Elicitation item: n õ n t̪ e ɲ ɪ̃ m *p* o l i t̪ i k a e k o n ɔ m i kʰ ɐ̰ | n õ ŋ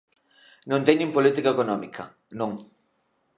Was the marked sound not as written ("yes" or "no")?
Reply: no